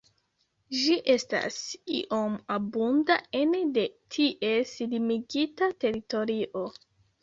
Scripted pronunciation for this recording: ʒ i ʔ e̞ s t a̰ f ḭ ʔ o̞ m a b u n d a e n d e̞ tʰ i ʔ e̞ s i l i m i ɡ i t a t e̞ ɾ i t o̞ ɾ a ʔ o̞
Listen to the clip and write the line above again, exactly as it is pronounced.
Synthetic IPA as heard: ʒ i ʔ e̞ s t a̰ s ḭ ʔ o̞ m a b u n d a e n d e̞ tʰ i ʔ e̞ s i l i m i ɡ i t a t e̞ ɾ i t o̞ ɾ i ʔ o̞

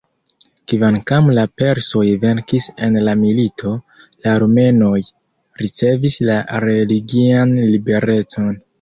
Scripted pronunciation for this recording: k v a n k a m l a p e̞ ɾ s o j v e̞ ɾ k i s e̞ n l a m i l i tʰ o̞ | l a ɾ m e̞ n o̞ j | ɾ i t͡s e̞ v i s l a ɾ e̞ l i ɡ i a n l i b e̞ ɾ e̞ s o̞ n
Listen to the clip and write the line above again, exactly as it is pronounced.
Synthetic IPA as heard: k v a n k a m l a p e̞ ɾ s o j v e̞ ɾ k i s e̞ n l a m i l i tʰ o̞ | l a ɾ m e̞ n o̞ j | ɾ i t͡s e̞ v i s l a ɾ e̞ l i ɡ i a n l i b e̞ ɾ e̞ t͡s o̞ n

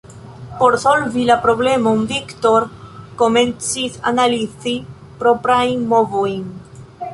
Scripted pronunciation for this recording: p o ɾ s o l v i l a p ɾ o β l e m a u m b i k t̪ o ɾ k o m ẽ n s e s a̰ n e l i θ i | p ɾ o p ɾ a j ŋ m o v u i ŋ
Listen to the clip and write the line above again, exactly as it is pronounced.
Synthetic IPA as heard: p o ɾ s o l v i l a p ɾ o β l e m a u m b i k t̪ o ɾ k o m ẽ n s i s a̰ n a l i θ i | p ɾ o p ɾ a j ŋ m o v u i ŋ

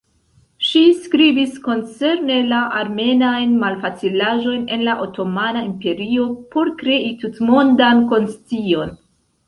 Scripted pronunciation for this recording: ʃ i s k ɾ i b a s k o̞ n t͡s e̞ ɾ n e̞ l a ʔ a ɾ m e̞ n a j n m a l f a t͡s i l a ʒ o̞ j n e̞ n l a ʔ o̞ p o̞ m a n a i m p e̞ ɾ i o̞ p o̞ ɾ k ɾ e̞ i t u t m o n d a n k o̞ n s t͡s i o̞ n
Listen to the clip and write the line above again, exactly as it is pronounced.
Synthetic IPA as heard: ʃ i s k ɾ i b i s k o̞ n t͡s e̞ ɾ n e̞ l a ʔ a ɾ m e̞ n a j n m a l f a t͡s i l a ʒ o̞ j n e̞ n l a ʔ o̞ t o̞ m a n a i m p e̞ ɾ i o̞ p o̞ ɾ k ɾ e̞ i t u t m o n d a n k o̞ n s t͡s i o̞ n

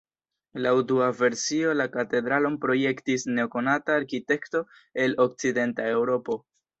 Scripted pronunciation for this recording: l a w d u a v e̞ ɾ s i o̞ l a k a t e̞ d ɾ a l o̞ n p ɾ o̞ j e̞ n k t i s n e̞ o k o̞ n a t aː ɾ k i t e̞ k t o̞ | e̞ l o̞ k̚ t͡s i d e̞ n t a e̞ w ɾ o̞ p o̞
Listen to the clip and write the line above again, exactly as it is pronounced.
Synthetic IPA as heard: l a w d u a v e̞ ɾ s i o̞ l a k a t e̞ d ɾ a l o̞ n p ɾ o̞ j e̞ k t i s n e̞ o k o̞ n a t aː ɾ k i t e̞ k t o̞ | e̞ l o̞ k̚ t͡s i d e̞ n t a e̞ w ɾ o̞ p o̞

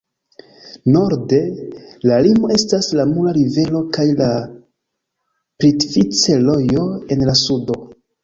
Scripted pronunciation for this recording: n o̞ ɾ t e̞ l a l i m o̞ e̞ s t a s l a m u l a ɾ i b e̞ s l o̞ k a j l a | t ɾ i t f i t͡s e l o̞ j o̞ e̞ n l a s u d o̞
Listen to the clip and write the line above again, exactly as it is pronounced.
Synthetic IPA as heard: n o̞ ɾ d e̞ l a l i m o̞ e̞ s t a s l a m u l a ɾ i v e̞ l o̞ k a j l a | p ɾ i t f i t͡s e l o̞ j o̞ e̞ n l a s u d o̞

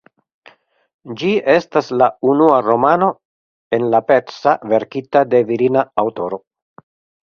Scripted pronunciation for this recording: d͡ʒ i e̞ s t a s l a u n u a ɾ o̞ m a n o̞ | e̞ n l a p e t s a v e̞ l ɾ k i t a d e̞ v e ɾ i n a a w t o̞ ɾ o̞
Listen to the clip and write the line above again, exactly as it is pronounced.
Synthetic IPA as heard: d͡ʒ i e̞ s t a s l a u n u a ɾ o̞ m a n o̞ | e̞ n l a p e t s a v e̞ ɾ k i t a d e̞ v i ɾ i n a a w t o̞ ɾ o̞

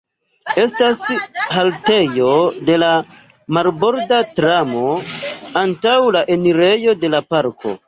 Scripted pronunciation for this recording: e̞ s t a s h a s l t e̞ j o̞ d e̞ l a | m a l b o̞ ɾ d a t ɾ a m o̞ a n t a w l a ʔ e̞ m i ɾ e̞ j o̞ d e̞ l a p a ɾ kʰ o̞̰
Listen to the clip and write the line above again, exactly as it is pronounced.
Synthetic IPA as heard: e̞ s t a s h a l t e̞ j o̞ d e̞ l a | m a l b o̞ ɾ d a t ɾ a m o̞ a n t a w l a ʔ e̞ n i ɾ e̞ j o̞ d e̞ l a p a ɾ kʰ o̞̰

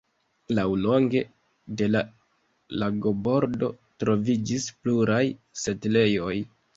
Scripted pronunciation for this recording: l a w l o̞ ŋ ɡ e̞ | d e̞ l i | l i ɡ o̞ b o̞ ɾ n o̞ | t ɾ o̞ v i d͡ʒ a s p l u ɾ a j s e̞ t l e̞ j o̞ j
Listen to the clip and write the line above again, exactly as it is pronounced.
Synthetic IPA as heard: l a w l o̞ ŋ ɡ e̞ | d e̞ l a | l a ɡ o̞ b o̞ ɾ d o̞ | t ɾ o̞ v i d͡ʒ i s p l u ɾ a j s e̞ t l e̞ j o̞ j

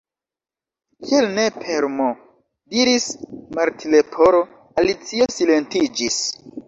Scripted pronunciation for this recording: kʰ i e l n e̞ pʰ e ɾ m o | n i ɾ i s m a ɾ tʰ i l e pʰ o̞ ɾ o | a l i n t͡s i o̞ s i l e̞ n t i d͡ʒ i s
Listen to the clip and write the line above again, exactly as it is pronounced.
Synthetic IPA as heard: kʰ i e l n e̞ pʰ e ɾ m o | d i ɾ i s m a ɾ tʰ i l e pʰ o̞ ɾ o | a l i t͡s i o̞ s i l e̞ n t i d͡ʒ i s

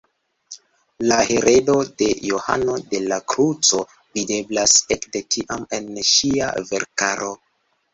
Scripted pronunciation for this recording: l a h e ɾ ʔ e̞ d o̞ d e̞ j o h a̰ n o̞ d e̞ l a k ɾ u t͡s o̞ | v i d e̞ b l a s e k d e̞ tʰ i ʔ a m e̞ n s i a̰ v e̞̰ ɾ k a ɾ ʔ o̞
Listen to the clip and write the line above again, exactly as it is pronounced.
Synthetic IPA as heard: l a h e ɾ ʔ e̞ d o̞ d e̞ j o h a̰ n o̞ d e̞ l a k ɾ u t͡s o̞ | v i d e̞ b l a s e k d e̞ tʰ i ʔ a m e̞ n ʃ i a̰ v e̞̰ ɾ k a ɾ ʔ o̞

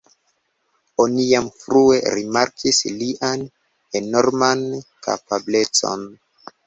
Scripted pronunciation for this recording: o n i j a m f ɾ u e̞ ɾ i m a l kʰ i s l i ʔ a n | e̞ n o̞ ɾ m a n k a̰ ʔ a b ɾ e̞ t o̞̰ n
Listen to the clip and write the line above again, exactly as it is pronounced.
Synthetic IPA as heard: o n i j a m f ɾ u e̞ ɾ i m a ɾ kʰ i s l i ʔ a n | e̞ n o̞ ɾ m a n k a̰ p a b l e̞ t͡s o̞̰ n

